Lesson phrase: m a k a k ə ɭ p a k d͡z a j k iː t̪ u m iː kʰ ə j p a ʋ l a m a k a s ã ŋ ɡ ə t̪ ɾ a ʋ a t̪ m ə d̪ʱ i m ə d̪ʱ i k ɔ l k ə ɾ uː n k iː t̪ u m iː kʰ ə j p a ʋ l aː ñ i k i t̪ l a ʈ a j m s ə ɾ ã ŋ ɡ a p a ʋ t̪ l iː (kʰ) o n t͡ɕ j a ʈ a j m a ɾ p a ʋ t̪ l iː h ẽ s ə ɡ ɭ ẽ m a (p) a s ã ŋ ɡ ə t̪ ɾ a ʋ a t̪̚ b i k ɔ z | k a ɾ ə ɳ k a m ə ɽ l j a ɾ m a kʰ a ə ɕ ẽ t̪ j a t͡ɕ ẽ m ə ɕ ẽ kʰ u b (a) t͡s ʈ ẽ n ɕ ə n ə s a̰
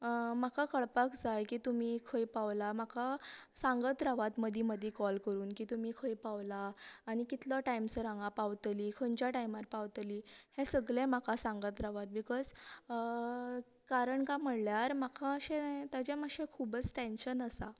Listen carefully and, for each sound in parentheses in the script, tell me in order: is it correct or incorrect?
correct, incorrect: k, incorrect: ə

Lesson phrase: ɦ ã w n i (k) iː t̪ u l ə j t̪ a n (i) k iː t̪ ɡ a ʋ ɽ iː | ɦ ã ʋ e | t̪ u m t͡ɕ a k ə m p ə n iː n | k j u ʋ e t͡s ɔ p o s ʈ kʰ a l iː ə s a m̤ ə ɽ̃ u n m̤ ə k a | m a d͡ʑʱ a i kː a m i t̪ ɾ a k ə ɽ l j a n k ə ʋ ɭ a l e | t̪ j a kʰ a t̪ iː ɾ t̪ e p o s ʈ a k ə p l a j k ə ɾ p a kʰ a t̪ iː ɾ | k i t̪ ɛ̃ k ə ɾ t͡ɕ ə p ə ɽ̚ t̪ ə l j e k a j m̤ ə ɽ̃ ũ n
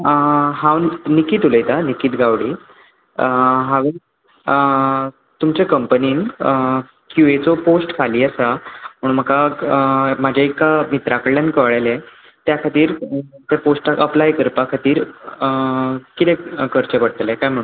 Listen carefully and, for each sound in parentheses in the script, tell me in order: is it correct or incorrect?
correct, correct

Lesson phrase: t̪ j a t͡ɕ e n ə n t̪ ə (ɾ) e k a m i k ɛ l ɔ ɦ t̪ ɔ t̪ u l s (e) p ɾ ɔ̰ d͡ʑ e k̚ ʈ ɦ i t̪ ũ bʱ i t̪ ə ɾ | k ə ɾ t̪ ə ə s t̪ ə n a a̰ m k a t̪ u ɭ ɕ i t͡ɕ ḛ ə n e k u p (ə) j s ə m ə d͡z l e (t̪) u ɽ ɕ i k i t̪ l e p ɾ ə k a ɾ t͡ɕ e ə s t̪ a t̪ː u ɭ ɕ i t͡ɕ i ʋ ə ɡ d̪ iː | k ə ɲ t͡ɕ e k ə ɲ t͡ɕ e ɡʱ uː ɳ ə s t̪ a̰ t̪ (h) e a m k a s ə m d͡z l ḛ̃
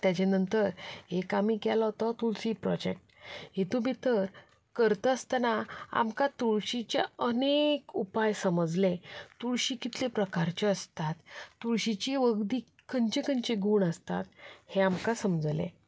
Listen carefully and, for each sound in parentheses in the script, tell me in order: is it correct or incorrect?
correct, incorrect: i, incorrect: a, correct, correct

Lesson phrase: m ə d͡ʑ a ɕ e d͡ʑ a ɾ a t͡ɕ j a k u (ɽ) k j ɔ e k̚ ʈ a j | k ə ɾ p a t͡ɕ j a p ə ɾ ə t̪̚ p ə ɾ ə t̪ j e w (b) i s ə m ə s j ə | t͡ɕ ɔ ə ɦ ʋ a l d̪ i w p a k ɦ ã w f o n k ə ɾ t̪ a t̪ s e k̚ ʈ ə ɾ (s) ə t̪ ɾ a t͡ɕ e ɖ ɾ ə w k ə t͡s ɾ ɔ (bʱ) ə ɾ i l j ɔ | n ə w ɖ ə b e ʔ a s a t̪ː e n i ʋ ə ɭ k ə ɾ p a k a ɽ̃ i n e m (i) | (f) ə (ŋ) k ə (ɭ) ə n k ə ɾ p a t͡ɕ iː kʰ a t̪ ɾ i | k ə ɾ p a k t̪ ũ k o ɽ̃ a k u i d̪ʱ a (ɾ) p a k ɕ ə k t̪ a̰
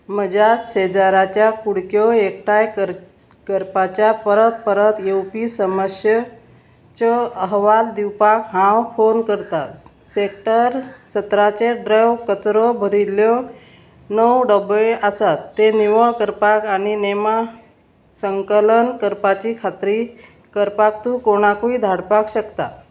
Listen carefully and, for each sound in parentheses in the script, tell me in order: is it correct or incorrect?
correct, incorrect: p, correct, correct, incorrect: a, incorrect: s, correct, incorrect: l, incorrect: ɽ

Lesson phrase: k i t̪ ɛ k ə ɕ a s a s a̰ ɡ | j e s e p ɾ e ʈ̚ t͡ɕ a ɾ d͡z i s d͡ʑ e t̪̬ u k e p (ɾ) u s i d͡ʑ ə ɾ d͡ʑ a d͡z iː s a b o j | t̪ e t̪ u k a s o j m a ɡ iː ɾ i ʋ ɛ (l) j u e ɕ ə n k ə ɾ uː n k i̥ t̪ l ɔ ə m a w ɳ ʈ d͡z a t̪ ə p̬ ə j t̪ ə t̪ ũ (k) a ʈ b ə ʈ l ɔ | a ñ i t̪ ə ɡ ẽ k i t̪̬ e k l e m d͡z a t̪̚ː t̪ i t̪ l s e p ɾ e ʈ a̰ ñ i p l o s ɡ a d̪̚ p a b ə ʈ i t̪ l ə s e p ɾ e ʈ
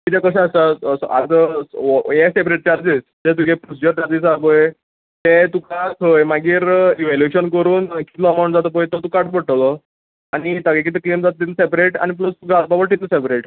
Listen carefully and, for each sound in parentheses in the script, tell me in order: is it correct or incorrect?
correct, correct, correct

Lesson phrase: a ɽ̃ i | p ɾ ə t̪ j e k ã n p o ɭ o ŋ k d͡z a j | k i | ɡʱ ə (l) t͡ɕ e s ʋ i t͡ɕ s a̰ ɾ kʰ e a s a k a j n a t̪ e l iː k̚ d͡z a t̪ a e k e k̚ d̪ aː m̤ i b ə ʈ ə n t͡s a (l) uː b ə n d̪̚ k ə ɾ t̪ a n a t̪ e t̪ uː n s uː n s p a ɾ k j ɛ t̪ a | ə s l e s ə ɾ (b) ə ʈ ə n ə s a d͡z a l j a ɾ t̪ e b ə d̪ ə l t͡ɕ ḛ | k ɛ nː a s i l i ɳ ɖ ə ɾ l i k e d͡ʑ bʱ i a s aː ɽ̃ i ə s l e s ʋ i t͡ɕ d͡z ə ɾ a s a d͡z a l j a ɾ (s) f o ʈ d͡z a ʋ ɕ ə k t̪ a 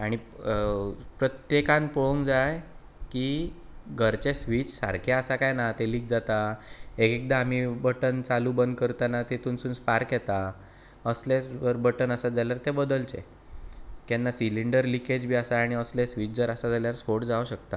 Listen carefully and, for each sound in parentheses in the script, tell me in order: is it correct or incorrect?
incorrect: ɾ, correct, correct, correct

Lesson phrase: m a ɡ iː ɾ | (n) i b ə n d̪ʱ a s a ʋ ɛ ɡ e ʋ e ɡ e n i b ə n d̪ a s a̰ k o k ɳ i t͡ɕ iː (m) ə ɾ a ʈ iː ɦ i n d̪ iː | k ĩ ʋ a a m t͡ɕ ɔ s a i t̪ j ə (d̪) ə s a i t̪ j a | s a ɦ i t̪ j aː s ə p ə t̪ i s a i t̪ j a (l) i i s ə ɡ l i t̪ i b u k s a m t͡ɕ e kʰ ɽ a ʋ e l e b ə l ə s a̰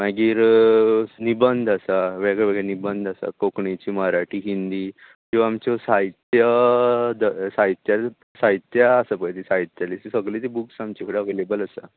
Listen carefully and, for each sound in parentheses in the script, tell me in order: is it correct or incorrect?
correct, correct, correct, correct

